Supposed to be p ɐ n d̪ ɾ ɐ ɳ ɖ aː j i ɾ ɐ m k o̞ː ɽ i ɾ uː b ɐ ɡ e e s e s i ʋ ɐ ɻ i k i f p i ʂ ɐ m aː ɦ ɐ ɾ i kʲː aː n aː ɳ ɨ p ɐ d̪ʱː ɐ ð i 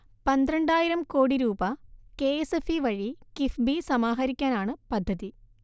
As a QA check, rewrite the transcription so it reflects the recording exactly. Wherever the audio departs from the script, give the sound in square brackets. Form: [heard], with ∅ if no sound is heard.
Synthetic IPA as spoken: p ɐ n d̪ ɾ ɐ ɳ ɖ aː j i ɾ ɐ m k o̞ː ɽ i ɾ uː b ɐ [k] e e s e [f] i ʋ ɐ ɻ i k i f [b] i [s] ɐ m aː ɦ ɐ ɾ i kʲː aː n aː ɳ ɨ p ɐ d̪ʱː ɐ ð i